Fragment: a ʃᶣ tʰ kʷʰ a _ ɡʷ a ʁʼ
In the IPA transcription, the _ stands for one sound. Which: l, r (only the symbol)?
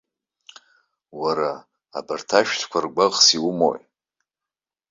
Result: r